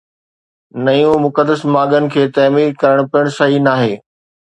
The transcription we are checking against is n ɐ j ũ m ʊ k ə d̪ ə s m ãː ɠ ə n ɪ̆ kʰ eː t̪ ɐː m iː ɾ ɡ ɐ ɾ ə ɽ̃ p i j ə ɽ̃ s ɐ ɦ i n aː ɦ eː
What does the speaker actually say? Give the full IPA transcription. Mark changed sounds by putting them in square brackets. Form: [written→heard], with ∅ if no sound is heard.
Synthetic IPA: n ɐ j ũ m ʊ k ə d̪ ə s m [ãː→aː] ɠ ə n ɪ̆ kʰ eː t̪ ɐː m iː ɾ [ɡ→k] ɐ ɾ ə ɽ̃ p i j ə ɽ̃ s ɐ ɦ i n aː ɦ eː